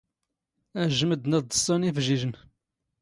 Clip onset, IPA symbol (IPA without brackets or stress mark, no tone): æ